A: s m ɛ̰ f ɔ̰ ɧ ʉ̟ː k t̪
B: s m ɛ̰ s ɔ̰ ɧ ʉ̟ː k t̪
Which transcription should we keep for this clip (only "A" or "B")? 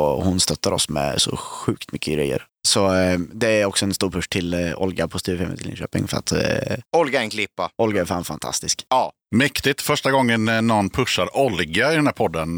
B